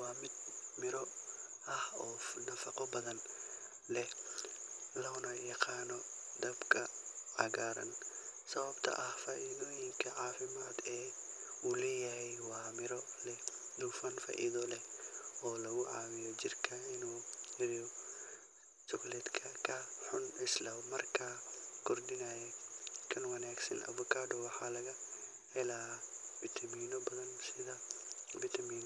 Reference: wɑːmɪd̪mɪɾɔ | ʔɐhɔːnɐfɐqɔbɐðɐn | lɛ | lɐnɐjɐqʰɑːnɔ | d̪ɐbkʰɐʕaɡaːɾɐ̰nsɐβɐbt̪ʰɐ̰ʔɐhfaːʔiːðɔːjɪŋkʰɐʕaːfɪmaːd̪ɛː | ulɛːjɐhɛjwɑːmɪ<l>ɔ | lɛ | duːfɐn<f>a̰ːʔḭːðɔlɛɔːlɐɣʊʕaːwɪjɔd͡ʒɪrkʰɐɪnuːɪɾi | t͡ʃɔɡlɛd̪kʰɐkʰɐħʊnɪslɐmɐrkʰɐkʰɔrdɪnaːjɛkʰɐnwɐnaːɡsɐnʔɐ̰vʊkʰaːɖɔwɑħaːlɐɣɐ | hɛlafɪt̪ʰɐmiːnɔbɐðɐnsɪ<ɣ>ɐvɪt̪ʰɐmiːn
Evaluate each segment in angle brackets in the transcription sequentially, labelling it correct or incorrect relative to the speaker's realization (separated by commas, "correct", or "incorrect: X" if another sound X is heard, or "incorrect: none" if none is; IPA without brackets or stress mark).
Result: incorrect: ɾ, correct, incorrect: ð